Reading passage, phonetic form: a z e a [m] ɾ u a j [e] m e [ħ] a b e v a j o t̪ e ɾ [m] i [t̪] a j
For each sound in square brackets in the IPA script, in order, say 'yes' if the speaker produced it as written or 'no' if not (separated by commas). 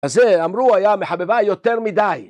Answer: yes, no, yes, yes, no